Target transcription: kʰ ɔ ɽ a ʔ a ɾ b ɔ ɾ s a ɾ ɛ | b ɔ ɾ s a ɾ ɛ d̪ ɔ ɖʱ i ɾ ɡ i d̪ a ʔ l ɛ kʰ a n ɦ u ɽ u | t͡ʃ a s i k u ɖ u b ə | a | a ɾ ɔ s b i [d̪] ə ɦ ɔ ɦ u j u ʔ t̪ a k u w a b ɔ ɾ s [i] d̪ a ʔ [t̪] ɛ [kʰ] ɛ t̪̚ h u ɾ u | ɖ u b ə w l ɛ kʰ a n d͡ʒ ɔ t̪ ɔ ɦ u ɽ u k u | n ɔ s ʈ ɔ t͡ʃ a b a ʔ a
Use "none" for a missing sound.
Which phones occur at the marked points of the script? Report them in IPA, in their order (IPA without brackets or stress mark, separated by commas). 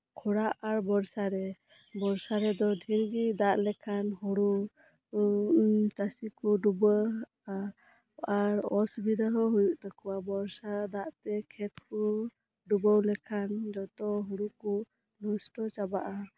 d̪, a, t̪, kʰ